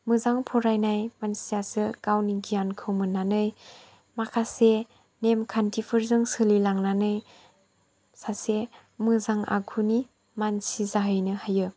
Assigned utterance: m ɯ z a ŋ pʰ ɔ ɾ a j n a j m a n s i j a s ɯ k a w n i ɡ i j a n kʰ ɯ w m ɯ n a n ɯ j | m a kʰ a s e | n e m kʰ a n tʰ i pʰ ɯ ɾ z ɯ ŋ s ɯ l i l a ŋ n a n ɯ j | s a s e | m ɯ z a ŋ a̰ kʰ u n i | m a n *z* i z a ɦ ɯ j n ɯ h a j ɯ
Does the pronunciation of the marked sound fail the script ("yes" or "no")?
yes